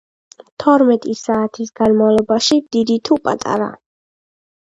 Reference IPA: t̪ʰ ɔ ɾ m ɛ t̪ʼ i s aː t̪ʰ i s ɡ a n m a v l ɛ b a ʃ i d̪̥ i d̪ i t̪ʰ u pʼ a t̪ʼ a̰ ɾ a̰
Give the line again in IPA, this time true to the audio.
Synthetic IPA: t̪ʰ ɔ ɾ m ɛ t̪ʼ i s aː t̪ʰ i s ɡ a n m a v l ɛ b a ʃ i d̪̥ i d̪ i t̪ʰ u pʼ a t̪ʼ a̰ ɾ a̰